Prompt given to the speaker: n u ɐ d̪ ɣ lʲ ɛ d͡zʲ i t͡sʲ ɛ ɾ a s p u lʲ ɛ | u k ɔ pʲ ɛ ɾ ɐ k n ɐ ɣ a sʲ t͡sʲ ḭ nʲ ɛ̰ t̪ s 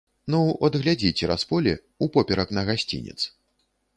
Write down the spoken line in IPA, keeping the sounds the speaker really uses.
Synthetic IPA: n u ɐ d̪ ɣ lʲ a d͡zʲ i t͡sʲ ɛ ɾ a s p ɔ lʲ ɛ | u p ɔ pʲ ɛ ɾ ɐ k n ɐ ɣ a sʲ t͡sʲ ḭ nʲ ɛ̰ t̪ s